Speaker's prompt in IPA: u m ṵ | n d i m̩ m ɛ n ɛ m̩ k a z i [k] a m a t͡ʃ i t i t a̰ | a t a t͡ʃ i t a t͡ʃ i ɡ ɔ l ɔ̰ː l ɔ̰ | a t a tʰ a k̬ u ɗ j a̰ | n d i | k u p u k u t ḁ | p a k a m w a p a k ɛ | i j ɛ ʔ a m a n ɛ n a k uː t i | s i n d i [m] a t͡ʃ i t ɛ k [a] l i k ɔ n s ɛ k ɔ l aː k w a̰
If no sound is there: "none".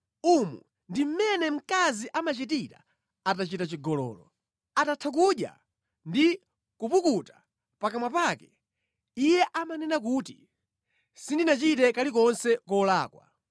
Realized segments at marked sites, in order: ʔ, n, a

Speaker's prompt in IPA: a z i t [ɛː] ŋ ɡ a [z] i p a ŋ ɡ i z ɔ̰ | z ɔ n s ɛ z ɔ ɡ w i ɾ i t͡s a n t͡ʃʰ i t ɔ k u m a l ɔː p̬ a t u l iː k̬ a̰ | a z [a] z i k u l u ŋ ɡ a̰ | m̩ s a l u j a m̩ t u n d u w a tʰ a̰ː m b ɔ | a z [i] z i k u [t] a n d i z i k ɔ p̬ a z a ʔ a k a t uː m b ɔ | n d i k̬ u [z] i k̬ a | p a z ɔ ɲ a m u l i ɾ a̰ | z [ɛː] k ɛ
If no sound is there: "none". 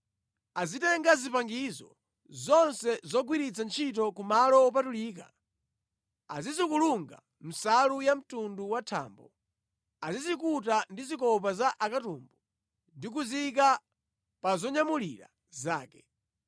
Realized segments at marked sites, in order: ɛ, z, i, i, t, z, aː

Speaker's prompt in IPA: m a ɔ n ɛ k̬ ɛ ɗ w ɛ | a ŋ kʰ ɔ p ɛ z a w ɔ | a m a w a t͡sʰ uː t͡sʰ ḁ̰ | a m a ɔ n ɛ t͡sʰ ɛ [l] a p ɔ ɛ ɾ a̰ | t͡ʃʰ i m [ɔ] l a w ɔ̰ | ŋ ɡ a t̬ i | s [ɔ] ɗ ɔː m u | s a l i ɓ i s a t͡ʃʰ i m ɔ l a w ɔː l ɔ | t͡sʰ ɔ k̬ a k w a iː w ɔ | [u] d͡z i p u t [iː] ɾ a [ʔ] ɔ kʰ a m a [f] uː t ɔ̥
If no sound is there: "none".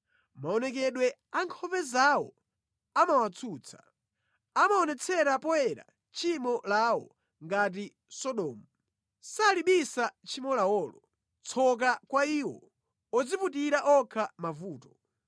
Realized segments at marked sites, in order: ɾ, ɔ, ɔ, ɔ, i, ʔ, v

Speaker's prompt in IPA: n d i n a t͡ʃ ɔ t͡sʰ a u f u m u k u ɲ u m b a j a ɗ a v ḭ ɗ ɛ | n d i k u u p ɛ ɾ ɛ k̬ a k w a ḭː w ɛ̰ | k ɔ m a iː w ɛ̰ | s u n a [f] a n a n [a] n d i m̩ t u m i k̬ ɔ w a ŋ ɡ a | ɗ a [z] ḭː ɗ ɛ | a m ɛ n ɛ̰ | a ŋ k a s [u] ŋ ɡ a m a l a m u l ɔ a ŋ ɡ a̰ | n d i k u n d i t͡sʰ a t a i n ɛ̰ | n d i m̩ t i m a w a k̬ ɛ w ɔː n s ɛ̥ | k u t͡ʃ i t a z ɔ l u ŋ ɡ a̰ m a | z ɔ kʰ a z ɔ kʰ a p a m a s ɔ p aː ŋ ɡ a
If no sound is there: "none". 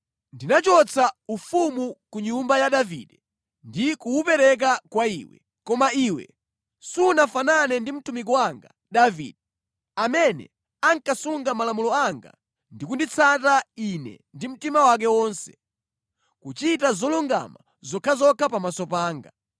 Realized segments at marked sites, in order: f, ɛ, v, u

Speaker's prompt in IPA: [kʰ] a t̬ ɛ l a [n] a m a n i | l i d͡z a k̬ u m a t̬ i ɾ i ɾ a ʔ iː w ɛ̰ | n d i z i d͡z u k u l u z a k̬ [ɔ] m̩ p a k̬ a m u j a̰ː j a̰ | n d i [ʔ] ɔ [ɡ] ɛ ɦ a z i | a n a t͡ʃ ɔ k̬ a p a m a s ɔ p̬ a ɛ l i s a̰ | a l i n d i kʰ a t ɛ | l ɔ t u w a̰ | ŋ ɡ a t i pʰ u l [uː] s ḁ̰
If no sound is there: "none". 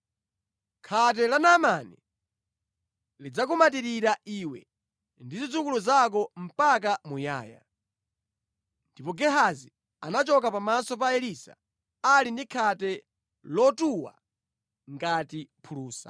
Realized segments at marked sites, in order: kʰ, n, ɔ, p, ɡ, uː

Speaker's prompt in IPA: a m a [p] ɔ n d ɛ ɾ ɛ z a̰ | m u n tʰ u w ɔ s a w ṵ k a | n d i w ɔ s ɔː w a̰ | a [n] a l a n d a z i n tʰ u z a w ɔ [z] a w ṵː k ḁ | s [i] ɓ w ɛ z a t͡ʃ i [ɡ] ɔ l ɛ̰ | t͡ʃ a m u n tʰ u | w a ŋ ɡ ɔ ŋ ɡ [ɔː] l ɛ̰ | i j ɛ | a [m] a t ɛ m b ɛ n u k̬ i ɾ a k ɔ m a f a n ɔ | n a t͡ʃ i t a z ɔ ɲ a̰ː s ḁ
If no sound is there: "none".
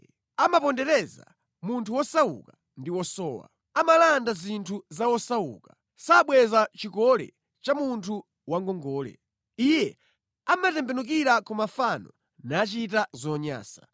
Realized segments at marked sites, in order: p, m, s, a, k, ɔː, m

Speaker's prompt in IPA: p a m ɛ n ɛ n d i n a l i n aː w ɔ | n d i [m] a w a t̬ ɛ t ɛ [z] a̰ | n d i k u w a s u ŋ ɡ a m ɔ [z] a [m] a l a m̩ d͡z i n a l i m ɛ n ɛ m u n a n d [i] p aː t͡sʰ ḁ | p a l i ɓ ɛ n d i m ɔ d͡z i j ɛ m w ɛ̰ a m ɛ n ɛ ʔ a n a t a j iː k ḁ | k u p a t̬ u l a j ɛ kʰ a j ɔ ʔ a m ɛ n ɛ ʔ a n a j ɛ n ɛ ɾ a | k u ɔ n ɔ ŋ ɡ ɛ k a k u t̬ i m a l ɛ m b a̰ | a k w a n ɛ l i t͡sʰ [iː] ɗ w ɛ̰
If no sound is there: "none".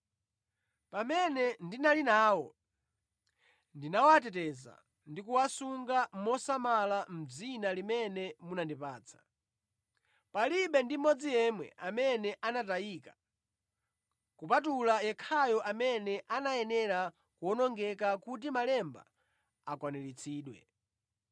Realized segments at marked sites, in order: n, z, s, m, i, iː

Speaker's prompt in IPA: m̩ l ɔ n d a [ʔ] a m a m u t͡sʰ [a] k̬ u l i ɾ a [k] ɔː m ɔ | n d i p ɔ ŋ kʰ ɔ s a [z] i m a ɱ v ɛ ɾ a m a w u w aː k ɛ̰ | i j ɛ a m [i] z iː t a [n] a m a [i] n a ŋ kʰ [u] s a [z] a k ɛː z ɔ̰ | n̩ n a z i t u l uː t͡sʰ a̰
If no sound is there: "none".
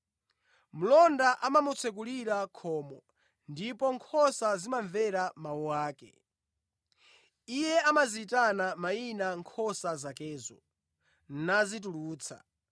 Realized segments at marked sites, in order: ʔ, ɛ, kʰ, z, a, n, i, ɔ, z

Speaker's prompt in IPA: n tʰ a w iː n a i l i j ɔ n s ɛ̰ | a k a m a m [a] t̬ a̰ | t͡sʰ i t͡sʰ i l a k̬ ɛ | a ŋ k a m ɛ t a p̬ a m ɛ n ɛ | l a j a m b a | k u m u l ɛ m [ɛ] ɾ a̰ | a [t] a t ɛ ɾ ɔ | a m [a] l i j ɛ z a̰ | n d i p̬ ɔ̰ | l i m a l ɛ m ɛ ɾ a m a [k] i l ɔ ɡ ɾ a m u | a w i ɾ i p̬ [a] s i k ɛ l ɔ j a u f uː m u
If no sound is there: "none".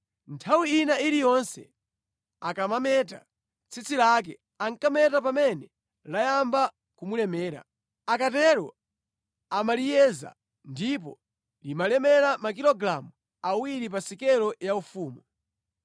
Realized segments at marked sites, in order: ɛ, ɛː, k, a, k, a

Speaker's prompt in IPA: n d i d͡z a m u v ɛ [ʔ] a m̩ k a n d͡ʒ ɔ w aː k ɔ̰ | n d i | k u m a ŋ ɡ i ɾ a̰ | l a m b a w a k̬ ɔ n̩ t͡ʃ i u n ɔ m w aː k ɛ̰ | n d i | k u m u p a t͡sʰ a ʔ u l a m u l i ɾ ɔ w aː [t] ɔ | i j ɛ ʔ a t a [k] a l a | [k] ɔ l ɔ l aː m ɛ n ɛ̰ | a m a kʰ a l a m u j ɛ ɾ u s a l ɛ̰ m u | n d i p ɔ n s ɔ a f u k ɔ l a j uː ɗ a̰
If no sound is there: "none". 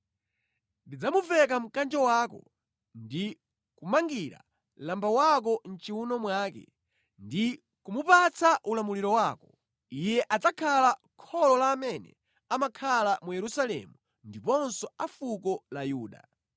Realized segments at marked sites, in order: k, k, kʰ, kʰ

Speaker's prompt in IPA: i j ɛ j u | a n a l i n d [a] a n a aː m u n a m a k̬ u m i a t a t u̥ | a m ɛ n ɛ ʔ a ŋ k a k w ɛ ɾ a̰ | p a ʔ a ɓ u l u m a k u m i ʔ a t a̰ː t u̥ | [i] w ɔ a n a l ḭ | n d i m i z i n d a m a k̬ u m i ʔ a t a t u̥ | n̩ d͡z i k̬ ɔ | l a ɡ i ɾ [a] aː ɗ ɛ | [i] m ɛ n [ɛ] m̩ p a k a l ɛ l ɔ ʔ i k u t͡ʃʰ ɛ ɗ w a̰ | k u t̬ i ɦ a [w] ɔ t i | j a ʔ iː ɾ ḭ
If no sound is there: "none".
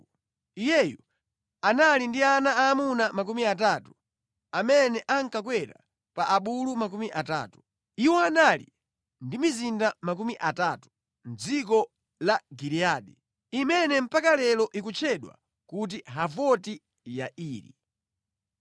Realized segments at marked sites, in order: i, i, i, i, ɛ, v

